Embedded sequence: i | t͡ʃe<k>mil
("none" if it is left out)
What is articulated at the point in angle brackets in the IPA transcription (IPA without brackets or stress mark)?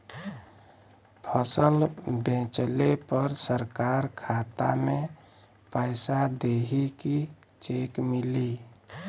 k